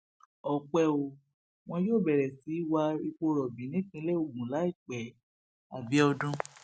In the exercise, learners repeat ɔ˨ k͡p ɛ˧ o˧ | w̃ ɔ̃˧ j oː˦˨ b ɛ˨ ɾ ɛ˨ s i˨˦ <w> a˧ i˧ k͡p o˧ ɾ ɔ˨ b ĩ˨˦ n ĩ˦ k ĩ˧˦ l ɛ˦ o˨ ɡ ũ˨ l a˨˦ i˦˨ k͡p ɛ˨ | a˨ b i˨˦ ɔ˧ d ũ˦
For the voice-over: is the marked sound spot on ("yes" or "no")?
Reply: yes